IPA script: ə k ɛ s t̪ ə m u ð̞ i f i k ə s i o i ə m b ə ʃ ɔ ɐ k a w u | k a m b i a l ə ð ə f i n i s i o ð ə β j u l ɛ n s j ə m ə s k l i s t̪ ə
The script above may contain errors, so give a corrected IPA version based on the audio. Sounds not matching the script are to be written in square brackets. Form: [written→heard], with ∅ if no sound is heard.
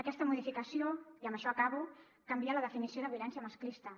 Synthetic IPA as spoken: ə k ɛ s t̪ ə m u ð̞ i f i k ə s i o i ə m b ə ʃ ɔ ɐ k a [w→β] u | k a m b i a l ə ð ə f i n i s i o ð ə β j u l ɛ n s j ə m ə s k l i s t̪ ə